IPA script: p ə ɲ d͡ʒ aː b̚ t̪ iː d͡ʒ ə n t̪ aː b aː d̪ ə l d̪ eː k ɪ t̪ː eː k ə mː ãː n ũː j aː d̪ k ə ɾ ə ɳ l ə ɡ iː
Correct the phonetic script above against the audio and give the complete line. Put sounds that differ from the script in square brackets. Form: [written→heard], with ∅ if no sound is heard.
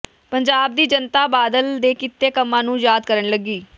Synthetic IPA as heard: p ə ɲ d͡ʒ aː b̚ [t̪→d̪] iː d͡ʒ ə n t̪ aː b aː d̪ ə l d̪ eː k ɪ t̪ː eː k ə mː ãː n ũː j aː d̪ k ə ɾ ə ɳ l ə ɡ iː